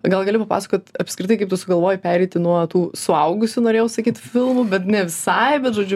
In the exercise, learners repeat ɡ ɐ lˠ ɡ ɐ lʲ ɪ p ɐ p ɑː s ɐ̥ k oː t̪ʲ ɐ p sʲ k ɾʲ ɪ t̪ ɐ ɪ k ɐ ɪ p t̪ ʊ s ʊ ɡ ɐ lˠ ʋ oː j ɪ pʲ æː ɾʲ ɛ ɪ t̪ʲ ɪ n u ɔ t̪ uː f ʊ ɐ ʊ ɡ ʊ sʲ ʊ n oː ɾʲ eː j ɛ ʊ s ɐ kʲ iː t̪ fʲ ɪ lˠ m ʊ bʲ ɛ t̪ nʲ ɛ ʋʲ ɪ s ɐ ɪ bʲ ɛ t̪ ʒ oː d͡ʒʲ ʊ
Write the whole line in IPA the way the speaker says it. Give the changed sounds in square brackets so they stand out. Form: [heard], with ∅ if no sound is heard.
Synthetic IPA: ɡ ɐ lˠ ɡ ɐ lʲ ɪ p ɐ p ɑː s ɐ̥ k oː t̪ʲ ɐ p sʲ k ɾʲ ɪ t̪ ɐ ɪ k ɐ ɪ p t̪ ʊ s ʊ ɡ ɐ lˠ ʋ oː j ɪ pʲ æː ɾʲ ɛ ɪ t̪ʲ ɪ n u ɔ t̪ uː [s] ʊ ɐ ʊ ɡ ʊ sʲ ʊ n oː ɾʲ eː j ɛ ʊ s ɐ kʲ iː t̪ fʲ ɪ lˠ m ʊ bʲ ɛ t̪ nʲ ɛ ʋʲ ɪ s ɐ ɪ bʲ ɛ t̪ ʒ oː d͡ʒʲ ʊ